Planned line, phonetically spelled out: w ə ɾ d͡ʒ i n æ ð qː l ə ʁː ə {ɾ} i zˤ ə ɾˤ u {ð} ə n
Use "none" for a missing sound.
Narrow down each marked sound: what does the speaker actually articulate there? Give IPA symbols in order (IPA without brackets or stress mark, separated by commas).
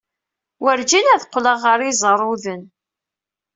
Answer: ɾ, ð